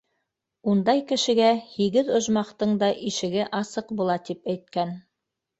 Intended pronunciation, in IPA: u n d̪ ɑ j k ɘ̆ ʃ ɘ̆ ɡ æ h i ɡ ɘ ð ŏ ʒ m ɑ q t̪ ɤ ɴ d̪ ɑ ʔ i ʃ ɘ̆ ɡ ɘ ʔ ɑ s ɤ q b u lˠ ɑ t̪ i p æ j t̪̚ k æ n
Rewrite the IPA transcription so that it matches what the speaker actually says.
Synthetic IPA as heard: u n d̪ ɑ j k ɘ̆ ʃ ɘ̆ ɡ æ h i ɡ ɘ ð ŏ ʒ m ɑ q t̪ ɤ ɴ d̪ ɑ ʔ i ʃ ɘ̆ ɡ ɘ ʔ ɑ s ɤ q b u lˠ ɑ t̪ i p æ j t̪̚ k æ n

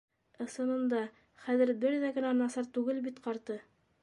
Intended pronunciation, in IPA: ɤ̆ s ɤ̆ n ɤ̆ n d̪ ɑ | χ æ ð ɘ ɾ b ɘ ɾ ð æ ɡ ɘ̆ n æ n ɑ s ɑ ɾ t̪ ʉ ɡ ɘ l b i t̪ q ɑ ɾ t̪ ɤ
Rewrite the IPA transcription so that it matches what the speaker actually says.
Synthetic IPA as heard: ɤ̆ s ɤ̆ n ɤ̆ n d̪ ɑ | χ æ ð ɘ ɾ b ɘ ɾ ð æ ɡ ɘ̆ n æ n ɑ s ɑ ɾ t̪ ʉ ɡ ɘ l b i t̪ q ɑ ɾ t̪ ɤ

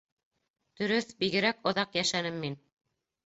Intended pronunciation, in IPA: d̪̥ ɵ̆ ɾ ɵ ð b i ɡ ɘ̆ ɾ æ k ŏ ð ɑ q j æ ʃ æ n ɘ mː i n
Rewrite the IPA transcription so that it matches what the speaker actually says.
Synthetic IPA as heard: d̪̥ ɵ̆ ɾ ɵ θ b i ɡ ɘ̆ ɾ æ k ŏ ð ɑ q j æ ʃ æ n ɘ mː i n

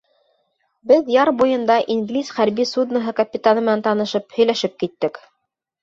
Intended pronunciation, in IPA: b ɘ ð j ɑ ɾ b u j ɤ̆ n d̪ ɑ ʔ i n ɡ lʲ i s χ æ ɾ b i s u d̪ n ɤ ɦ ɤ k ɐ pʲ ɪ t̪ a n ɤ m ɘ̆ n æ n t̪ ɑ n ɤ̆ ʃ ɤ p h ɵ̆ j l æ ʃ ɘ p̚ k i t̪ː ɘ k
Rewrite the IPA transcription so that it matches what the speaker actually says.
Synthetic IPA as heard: b ɘ ð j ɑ ɾ b u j ɤ̆ n d̪ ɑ ʔ i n ɡ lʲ i s χ æ ɾ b i s u d̪ n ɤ ɦ ɤ k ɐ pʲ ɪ t̪ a n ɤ m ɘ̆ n æ n t̪ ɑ n ɤ̆ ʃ ɤ p h ɵ̆ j l æ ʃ ɘ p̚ k i t̪ː ɘ k

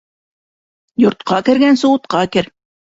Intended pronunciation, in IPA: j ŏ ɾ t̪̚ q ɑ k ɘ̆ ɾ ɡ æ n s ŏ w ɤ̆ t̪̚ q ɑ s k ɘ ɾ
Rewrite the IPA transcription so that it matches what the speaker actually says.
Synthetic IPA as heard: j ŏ ɾ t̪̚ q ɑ k ɘ̆ ɾ ɡ æ n s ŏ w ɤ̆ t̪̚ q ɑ k ɘ ɾ

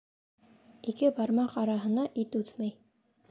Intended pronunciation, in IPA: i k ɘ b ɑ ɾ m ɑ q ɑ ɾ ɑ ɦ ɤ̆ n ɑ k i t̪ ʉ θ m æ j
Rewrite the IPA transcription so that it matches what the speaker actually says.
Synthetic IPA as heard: i k ɘ b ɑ ɾ m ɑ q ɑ ɾ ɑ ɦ ɤ̆ n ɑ ʔ i t̪ ʉ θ m æ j

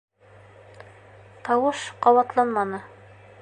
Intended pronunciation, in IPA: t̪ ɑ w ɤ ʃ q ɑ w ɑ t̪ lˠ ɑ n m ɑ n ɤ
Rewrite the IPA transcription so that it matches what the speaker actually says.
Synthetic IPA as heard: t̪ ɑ w ɤ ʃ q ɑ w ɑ t̪ lˠ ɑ n m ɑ n ɤ

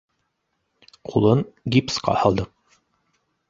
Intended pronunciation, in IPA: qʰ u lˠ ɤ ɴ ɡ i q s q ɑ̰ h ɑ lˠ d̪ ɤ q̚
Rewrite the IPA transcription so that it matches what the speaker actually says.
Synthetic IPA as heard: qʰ u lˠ ɤ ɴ ɡ i p s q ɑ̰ h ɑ lˠ d̪ ɤ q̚

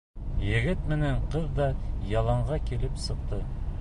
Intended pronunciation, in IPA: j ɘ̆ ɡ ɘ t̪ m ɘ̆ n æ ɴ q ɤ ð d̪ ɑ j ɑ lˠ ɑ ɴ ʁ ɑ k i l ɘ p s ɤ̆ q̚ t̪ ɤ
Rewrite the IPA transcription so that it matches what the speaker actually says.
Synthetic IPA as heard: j ɘ̆ ɡ ɘ t̪ m ɘ̆ n æ ɴ q ɤ ð d̪ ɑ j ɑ lˠ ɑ ɴ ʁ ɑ k i l ɘ p s ɤ̆ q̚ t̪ ɤ

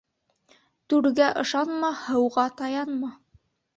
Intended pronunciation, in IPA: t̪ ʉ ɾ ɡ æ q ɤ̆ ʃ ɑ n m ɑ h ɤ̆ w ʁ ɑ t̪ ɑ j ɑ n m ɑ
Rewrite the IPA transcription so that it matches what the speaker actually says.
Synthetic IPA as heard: t̪ ʉ ɾ ɡ æ ʔ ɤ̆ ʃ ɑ n m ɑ h ɤ̆ w ʁ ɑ t̪ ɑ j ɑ n m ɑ

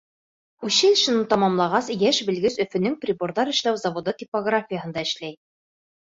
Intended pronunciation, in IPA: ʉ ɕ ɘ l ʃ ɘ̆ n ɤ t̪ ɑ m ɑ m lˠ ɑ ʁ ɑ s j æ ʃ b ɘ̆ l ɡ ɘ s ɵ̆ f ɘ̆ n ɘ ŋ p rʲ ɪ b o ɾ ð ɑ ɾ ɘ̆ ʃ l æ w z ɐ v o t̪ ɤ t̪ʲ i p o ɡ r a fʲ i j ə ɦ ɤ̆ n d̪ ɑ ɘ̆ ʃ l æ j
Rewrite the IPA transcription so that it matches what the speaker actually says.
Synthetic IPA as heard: ʉ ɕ ɘ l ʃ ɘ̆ n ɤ t̪ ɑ m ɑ m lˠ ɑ ʁ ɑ s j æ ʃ b ɘ̆ l ɡ ɘ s ɵ̆ f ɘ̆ n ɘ ŋ p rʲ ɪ b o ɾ ð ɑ ɾ ɘ̆ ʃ l æ w z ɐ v o d̪ ɤ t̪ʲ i p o ɡ r a fʲ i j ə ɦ ɤ̆ n d̪ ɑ ɘ̆ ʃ l æ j

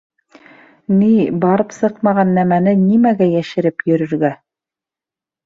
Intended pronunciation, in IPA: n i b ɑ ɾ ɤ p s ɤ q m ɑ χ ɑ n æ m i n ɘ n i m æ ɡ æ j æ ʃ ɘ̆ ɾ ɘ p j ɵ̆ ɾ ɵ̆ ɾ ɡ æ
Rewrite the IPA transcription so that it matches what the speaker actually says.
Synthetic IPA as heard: n i b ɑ ɾ ɤ p s ɤ q m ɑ ʁ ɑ nː æ m æ n ɘ n i m æ ɡ æ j æ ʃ ɘ̆ ɾ ɘ p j ɵ̆ ɾ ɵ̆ ɾ ɡ æ

